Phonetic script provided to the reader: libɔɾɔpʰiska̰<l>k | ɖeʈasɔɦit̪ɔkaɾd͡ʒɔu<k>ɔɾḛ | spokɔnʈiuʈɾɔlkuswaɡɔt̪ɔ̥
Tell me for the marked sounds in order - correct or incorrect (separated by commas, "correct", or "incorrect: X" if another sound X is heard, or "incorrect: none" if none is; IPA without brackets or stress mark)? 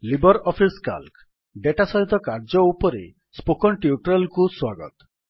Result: correct, incorrect: p